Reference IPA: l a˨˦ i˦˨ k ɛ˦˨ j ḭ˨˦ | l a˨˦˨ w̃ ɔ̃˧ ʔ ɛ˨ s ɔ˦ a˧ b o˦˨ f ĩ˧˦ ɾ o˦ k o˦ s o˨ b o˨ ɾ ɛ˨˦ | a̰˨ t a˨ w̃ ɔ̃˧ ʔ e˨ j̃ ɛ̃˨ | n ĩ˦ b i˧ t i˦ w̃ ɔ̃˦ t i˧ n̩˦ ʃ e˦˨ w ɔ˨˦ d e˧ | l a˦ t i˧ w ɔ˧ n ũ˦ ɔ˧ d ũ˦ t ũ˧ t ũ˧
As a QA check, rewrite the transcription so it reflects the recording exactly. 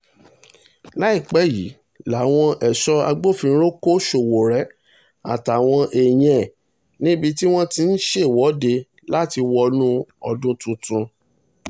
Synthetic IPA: l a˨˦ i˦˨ k͡p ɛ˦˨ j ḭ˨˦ | l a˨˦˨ w̃ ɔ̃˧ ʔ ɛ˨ ʃ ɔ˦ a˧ ɡ͡b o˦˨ f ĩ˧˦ ɾ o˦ k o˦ ʃ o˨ w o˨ ɾ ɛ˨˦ | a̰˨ t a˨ w̃ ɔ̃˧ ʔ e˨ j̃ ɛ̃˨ | n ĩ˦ b i˧ t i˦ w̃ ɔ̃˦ t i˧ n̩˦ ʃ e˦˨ w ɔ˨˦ d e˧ | l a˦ t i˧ w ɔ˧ n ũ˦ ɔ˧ d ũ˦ t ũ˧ t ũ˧